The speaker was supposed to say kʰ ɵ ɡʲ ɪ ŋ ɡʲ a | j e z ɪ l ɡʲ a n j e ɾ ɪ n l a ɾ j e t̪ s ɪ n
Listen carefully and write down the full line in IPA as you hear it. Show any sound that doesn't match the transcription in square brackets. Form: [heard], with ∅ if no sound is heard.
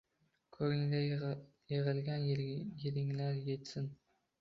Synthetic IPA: kʰ ɵ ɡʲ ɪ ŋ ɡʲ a | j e [ʁ] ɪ l ɡʲ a n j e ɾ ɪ [ŋ] l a ɾ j e t̪ s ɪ n

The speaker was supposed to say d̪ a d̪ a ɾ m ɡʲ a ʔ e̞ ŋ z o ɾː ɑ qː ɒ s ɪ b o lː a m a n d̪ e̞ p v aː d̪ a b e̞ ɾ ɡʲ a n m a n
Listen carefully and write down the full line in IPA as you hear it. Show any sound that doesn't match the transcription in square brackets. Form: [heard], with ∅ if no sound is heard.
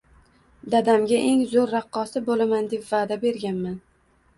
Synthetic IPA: d̪ a d̪ a [∅] m ɡʲ a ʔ e̞ ŋ z o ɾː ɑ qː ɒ s ɪ b o [l] a m a n d̪ e̞ p v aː d̪ a b e̞ ɾ ɡʲ a n m a n

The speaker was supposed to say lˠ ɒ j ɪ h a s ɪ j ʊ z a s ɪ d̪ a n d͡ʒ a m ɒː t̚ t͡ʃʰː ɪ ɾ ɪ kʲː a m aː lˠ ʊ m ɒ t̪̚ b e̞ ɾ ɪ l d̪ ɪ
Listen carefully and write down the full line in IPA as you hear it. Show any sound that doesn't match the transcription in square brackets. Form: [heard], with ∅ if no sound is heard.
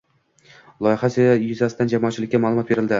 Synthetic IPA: lˠ ɒ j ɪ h a s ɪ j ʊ z a s ɪ d̪ a n d͡ʒ a m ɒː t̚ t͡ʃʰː ɪ [l] ɪ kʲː a m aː lˠ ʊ m ɒ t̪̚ b e̞ ɾ ɪ l d̪ ɪ

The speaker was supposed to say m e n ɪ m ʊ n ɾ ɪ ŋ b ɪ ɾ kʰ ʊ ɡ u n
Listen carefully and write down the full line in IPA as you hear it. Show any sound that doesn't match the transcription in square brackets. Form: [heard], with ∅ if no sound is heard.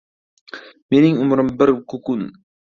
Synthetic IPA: m e n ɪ [ŋ] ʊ [m] ɾ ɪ [m] b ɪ ɾ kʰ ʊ [k] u n

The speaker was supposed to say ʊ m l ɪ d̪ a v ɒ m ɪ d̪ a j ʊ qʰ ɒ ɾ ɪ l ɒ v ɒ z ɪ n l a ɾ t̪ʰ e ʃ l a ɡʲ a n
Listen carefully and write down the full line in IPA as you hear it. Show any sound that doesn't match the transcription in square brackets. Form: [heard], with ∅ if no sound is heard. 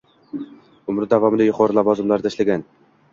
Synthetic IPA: ʊ m [ɾ] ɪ d̪ a v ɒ m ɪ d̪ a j ʊ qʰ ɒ ɾ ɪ l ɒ v ɒ z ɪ [m] l a ɾ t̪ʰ [a] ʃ l a ɡʲ a n

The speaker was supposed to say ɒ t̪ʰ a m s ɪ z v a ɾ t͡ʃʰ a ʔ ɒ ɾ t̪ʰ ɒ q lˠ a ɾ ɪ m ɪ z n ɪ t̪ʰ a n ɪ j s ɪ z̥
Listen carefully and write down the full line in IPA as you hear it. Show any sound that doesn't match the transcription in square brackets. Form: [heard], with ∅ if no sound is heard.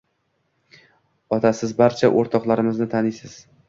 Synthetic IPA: ɒ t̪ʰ a [∅] s ɪ z [b] a ɾ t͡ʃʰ a ʔ [o] ɾ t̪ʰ ɒ q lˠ a ɾ ɪ m ɪ z n ɪ t̪ʰ a n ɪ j s ɪ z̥

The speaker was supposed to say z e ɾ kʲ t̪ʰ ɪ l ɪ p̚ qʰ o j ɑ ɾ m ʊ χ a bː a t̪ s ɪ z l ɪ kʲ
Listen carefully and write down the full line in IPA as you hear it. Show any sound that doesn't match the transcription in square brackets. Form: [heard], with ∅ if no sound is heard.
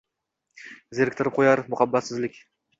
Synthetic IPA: z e ɾ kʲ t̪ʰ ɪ [ɾ] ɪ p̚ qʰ o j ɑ ɾ m ʊ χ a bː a t̪ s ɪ z l ɪ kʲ

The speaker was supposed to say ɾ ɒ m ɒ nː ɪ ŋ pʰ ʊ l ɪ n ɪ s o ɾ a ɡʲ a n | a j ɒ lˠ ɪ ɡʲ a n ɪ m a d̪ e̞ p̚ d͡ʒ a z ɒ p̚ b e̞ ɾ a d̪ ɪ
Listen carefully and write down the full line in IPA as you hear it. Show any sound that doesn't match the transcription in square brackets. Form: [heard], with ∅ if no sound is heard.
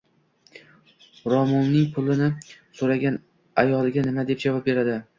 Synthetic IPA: ɾ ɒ m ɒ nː ɪ ŋ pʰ ʊ l ɪ n ɪ s o ɾ a ɡʲ a n | a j ɒ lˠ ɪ ɡʲ a n ɪ m a d̪ e̞ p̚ d͡ʒ a [v] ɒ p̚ b e̞ ɾ a d̪ ɪ

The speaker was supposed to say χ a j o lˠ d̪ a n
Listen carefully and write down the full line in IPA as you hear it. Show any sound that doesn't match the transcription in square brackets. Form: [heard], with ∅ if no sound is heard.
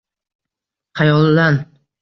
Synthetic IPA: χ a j [ɒ] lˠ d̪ a n

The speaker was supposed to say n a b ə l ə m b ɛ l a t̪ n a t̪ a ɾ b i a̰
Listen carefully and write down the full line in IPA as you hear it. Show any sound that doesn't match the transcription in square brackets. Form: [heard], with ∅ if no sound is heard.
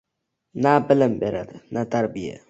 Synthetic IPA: n a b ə l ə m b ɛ [ɾ] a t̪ n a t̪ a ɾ b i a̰

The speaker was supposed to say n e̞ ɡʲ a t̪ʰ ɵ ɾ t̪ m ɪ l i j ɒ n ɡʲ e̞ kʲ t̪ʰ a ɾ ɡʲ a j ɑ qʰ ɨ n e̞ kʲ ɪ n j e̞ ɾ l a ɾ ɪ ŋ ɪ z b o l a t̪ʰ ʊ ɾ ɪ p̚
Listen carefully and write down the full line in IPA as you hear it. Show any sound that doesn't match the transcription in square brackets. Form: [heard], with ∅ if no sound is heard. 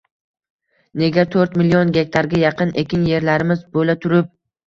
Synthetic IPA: n e̞ ɡʲ a t̪ʰ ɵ ɾ t̪ m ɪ l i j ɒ n ɡʲ e̞ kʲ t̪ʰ a ɾ ɡʲ a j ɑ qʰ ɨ n e̞ kʲ ɪ n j e̞ ɾ l a ɾ ɪ [m] ɪ z b o l a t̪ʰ ʊ ɾ ɪ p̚

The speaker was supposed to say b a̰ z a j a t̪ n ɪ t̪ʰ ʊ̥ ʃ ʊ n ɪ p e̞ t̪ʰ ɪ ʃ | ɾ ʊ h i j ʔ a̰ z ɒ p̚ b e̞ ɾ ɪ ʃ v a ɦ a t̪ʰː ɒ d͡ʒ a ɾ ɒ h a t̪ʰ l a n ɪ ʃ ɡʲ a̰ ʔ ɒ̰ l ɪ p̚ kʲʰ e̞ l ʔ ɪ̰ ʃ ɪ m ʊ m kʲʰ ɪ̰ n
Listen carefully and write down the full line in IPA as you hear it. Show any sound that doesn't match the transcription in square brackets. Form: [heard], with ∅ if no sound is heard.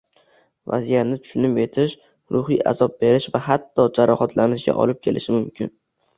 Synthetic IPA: [v] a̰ z [i] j a t̪ n ɪ t̪ʰ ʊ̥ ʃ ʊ n ɪ p e̞ t̪ʰ ɪ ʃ | ɾ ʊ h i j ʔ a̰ z ɒ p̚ b e̞ ɾ ɪ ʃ v a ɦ a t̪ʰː ɒ d͡ʒ a ɾ ɒ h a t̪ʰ l a n ɪ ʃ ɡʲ a̰ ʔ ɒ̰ l ɪ p̚ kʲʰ e̞ l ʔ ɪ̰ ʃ ɪ m ʊ m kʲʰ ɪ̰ n

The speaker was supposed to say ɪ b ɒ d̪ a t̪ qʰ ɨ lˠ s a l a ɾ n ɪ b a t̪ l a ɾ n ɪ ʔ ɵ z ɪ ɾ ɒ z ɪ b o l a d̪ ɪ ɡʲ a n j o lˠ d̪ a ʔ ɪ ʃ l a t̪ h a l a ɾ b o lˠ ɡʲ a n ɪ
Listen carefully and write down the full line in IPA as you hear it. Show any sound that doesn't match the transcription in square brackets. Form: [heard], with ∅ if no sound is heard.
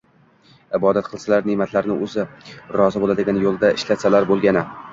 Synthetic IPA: ɪ b ɒ d̪ a t̪ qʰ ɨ lˠ s a l a ɾ n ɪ [m] a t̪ l a ɾ n ɪ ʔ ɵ z ɪ ɾ ɒ z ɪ b o l a d̪ ɪ ɡʲ a n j o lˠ d̪ a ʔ ɪ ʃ l a t̪ [s] a l a ɾ b o lˠ ɡʲ a n ɪ

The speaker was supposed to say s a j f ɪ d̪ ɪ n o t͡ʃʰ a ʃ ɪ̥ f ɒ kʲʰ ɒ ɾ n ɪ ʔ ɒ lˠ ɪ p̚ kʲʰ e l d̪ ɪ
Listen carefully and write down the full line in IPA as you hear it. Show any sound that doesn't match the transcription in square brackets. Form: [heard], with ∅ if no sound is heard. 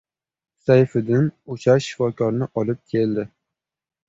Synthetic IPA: s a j f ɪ d̪ ɪ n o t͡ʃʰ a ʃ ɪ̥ f ɒ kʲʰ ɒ ɾ n ɪ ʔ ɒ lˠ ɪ p̚ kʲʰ e l d̪ ɪ

